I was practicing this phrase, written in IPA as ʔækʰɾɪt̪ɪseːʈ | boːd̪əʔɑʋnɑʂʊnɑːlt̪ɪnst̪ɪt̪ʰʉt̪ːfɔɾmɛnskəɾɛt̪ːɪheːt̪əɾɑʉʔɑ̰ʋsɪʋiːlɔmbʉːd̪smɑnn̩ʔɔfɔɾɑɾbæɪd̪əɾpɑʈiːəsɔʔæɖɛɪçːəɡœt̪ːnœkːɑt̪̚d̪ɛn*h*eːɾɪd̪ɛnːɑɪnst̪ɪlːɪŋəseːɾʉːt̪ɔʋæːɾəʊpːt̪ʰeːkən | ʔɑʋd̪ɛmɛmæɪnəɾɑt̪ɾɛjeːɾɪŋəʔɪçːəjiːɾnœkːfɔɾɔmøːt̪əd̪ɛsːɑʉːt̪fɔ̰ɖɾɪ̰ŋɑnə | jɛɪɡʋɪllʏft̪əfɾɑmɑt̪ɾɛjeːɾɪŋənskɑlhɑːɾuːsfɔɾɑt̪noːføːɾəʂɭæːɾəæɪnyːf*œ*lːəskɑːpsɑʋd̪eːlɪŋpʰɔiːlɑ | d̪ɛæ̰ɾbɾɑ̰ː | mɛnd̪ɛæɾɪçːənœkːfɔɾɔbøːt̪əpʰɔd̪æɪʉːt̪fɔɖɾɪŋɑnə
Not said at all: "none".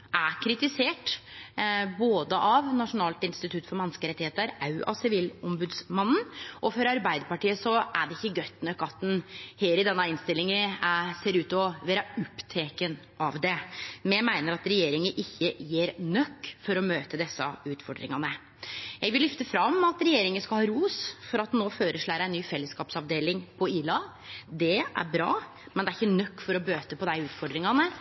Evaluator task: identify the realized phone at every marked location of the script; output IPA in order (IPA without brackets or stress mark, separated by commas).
h, ɛ